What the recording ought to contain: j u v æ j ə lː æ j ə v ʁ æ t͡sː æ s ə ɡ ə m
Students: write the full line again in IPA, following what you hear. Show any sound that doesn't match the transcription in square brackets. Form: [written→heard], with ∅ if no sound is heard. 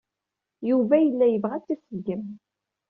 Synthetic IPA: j u v æ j ə lː æ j ə v ʁ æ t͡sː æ s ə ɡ ə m